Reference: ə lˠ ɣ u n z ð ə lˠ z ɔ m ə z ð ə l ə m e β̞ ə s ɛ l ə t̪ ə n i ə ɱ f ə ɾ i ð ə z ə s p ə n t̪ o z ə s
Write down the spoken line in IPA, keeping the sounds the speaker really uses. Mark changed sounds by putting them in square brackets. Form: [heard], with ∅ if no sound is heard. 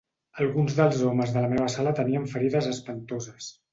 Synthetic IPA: ə lˠ ɣ u n z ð ə lˠ z ɔ m ə z ð ə l ə m e β̞ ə s [a] l ə t̪ ə n i ə ɱ f ə ɾ i ð ə z ə s p ə n t̪ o z ə s